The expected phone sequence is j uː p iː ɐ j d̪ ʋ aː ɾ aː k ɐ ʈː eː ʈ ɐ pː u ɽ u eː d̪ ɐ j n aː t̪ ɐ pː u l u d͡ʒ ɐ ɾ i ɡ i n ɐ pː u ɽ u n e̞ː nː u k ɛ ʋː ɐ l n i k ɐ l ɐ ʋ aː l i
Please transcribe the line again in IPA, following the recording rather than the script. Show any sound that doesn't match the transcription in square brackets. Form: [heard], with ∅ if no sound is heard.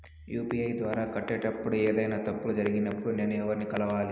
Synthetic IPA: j uː p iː ɐ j d̪ ʋ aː ɾ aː k ɐ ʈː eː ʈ ɐ pː u ɽ u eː d̪ ɐ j n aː t̪ ɐ pː u l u d͡ʒ ɐ ɾ i ɡ i n ɐ pː u ɽ u n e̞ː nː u [∅] ɛ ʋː ɐ [ɾ] n i k ɐ l ɐ ʋ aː l i